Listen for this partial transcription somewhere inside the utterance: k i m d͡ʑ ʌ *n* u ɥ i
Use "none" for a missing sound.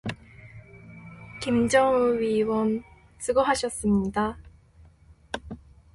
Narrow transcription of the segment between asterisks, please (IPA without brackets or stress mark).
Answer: ŋ